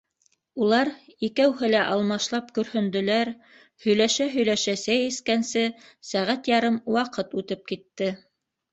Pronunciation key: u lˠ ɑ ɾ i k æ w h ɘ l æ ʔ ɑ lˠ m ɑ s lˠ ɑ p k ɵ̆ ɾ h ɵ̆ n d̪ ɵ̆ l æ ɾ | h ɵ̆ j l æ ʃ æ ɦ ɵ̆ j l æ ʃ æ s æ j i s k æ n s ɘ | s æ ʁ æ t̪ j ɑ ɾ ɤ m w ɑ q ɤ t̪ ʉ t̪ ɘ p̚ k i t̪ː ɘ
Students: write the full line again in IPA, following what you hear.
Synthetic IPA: u lˠ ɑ ɾ i k æ w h ɘ l æ ʔ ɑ lˠ m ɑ ʃ lˠ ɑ p k ɵ̆ ɾ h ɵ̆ n d̪ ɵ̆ l æ ɾ | h ɵ̆ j l æ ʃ æ ɦ ɵ̆ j l æ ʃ æ s æ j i s k æ n s ɘ | s æ ʁ æ t̪ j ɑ ɾ ɤ m w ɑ q ɤ t̪ ʉ t̪ ɘ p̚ k i t̪ː ɘ